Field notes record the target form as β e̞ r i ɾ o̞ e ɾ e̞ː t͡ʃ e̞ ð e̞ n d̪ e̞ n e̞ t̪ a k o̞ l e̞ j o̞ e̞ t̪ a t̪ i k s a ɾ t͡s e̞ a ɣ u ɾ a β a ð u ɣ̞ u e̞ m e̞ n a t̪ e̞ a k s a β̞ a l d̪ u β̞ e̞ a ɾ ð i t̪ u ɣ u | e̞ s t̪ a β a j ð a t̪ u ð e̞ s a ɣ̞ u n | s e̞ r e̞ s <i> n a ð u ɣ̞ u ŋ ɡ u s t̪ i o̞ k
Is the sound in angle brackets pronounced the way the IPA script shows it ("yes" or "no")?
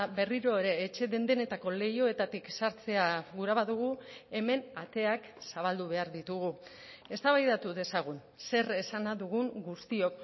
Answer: no